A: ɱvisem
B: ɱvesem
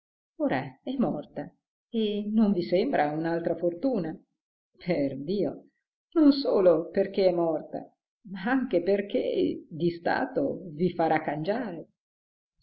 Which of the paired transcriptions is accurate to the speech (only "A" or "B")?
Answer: A